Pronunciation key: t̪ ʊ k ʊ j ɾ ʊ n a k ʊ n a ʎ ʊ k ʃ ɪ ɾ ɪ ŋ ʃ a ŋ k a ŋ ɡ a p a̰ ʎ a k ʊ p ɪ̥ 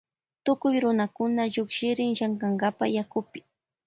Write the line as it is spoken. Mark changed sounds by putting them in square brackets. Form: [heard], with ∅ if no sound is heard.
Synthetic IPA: t̪ ʊ k ʊ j ɾ ʊ n a k ʊ n a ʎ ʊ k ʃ ɪ ɾ ɪ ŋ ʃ a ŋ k a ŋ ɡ a p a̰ [j] a k ʊ p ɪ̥